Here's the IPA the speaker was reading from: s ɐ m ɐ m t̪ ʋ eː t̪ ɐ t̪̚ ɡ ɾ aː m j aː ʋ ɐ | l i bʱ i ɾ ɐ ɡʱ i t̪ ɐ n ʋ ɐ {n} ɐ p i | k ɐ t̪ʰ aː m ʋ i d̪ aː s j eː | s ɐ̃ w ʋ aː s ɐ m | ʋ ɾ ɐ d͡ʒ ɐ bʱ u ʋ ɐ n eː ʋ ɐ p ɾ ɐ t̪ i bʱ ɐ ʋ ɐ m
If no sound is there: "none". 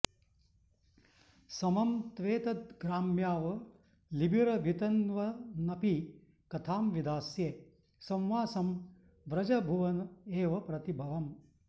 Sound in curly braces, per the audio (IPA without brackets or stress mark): n